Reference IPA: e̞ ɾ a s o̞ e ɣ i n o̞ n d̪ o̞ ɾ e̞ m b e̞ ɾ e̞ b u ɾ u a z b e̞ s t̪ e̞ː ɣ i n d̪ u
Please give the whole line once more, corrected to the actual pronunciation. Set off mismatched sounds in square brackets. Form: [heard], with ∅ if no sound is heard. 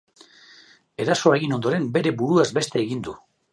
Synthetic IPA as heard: e̞ ɾ a s o̞ e ɣ i n o̞ n d̪ o̞ ɾ e̞ m b e̞ ɾ e̞ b u ɾ u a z b e̞ s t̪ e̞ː ɣ i n d̪ u